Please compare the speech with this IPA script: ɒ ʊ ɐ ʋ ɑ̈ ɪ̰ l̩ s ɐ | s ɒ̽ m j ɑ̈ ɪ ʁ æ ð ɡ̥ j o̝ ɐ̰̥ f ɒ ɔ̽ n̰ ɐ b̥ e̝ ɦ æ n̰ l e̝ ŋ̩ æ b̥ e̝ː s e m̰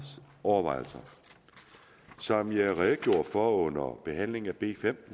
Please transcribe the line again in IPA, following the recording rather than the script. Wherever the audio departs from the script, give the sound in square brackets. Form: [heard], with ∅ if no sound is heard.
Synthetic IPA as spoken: ɒ ʊ ɐ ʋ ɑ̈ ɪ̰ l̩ s ɐ | s ɒ̽ m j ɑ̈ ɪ ʁ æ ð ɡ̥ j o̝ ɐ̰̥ f ɒ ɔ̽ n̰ ɐ b̥ e̝ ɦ æ n̰ l e̝ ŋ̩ æ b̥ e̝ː [f] e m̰